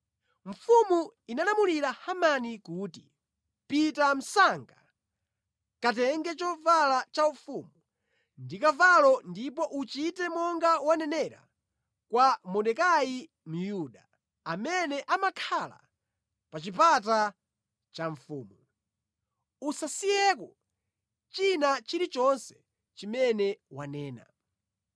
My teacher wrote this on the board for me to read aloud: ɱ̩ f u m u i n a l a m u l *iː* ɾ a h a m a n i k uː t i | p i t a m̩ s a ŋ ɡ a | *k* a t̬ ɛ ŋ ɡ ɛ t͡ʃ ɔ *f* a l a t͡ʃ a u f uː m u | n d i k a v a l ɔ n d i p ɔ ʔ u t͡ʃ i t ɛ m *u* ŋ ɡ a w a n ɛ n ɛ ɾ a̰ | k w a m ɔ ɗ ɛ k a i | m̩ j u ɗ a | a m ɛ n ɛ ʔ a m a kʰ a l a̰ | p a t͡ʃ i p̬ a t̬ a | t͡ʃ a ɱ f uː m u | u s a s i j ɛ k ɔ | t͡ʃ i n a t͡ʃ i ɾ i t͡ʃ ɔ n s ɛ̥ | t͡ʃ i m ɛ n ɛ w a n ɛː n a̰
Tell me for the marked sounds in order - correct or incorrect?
incorrect: i, correct, incorrect: v, incorrect: ɔ

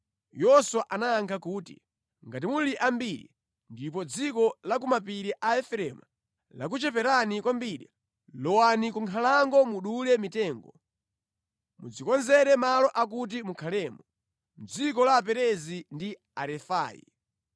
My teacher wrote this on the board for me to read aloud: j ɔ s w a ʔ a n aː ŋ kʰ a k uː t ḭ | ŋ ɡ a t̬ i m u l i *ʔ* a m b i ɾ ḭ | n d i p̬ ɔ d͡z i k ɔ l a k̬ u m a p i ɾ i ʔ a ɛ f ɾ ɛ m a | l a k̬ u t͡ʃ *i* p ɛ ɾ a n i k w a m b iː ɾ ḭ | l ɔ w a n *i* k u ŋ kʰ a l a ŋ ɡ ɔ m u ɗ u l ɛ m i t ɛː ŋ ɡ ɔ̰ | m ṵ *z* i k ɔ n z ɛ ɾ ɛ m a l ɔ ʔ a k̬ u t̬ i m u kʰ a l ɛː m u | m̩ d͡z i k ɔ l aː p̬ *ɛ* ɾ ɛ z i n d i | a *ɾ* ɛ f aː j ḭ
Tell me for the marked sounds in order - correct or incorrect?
correct, incorrect: ɛ, correct, incorrect: d͡z, correct, correct

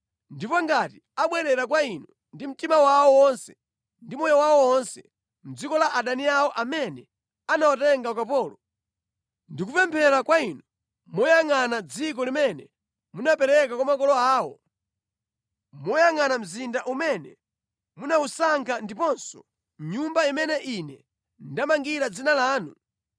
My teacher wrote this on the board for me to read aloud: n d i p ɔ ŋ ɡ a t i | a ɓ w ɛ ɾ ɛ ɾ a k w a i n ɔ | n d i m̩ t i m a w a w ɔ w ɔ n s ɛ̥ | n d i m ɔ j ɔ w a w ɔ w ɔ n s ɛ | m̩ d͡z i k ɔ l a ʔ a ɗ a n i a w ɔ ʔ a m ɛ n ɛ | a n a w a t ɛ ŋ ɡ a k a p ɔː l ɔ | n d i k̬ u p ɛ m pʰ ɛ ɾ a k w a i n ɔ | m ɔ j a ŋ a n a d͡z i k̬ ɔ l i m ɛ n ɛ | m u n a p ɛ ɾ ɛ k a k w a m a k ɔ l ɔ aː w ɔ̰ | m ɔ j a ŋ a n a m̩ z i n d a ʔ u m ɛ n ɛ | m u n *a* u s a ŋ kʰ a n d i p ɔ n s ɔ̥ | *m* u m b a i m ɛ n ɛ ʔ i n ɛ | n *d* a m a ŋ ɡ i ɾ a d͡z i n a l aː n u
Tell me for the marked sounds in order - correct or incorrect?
correct, incorrect: ɲ, correct

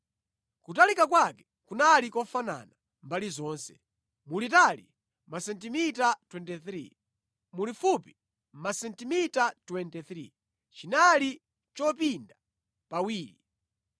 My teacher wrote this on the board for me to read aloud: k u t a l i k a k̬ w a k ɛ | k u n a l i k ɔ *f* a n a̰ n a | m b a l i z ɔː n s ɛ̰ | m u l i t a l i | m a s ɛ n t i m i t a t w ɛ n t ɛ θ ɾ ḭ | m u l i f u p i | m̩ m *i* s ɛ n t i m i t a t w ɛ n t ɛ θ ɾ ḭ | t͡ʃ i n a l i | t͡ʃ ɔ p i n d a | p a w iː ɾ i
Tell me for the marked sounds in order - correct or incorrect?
correct, incorrect: a

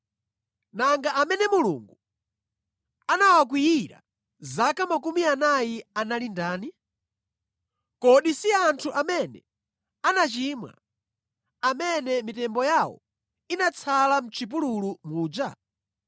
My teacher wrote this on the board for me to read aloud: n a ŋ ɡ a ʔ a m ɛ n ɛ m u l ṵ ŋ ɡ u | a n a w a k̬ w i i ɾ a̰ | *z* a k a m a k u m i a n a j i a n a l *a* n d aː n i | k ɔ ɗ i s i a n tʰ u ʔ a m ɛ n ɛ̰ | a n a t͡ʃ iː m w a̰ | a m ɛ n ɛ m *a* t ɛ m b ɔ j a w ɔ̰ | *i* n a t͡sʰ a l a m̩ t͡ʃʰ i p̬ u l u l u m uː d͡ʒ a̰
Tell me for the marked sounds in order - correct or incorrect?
correct, incorrect: i, incorrect: i, correct

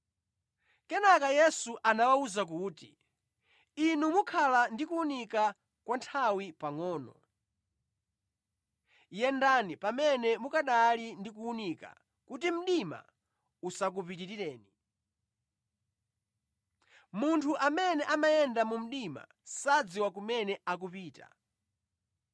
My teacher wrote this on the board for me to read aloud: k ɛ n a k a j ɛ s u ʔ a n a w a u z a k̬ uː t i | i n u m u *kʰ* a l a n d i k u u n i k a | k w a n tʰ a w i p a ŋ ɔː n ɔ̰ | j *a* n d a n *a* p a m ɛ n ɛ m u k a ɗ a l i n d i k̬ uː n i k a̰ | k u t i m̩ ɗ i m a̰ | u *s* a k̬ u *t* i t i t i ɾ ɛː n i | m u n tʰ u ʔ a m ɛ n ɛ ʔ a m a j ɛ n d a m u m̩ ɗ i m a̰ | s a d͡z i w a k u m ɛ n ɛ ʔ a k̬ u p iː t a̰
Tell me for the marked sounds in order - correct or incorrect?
correct, incorrect: ɛ, incorrect: i, correct, incorrect: p

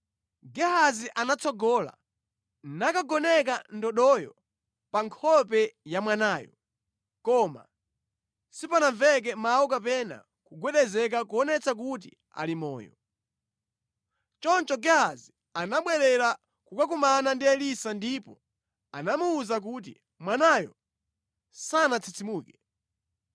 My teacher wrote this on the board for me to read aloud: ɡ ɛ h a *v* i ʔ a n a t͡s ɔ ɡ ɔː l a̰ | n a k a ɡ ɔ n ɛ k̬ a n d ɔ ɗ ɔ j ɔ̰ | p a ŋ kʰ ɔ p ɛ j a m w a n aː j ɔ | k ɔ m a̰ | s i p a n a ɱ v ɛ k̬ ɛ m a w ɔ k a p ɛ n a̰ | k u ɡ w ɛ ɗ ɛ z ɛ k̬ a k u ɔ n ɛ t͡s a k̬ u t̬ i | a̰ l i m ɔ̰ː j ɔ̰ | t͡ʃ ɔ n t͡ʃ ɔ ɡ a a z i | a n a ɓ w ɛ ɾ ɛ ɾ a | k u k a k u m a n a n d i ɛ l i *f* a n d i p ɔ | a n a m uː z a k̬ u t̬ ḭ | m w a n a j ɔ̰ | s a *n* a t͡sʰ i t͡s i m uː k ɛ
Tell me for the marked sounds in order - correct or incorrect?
incorrect: z, incorrect: s, correct

